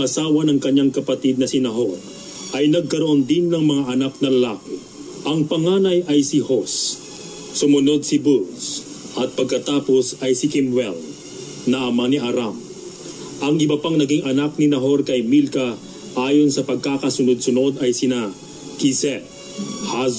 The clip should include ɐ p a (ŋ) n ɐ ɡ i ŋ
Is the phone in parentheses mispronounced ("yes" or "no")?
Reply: no